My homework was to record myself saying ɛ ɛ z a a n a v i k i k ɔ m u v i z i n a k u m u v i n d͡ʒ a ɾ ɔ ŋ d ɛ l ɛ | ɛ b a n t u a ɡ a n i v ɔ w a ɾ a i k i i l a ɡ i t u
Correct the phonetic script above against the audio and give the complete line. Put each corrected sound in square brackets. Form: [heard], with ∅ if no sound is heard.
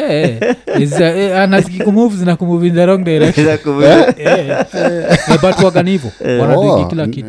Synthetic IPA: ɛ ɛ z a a n a [z] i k i k [u] m u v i z i n a k u m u v i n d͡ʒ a ɾ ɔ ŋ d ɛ [ɾ] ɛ | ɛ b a [∅] t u a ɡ a n i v ɔ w a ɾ a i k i i l a [k] i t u